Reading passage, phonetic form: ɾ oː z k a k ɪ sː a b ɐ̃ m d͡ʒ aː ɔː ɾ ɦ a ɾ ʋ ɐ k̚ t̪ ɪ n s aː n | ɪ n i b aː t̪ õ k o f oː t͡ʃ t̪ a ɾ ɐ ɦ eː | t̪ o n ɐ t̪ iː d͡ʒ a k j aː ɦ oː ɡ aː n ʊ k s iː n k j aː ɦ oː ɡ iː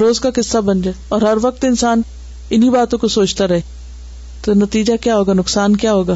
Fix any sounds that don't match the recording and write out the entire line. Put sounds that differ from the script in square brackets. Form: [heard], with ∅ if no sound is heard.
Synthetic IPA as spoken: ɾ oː z k a k ɪ sː a b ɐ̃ [n] d͡ʒ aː ɔː ɾ ɦ [ɐ] ɾ ʋ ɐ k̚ t̪ ɪ n s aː n | ɪ n i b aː t̪ õ k o [s] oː t͡ʃ t̪ a ɾ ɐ ɦ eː | t̪ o n ɐ t̪ iː d͡ʒ a k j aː ɦ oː ɡ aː n ʊ k s [aː] n k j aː ɦ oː ɡ [aː]